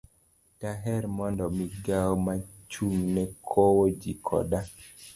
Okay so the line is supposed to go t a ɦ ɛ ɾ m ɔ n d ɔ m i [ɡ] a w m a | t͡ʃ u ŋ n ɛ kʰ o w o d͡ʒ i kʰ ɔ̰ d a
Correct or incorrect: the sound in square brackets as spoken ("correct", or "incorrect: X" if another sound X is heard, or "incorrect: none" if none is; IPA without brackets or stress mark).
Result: correct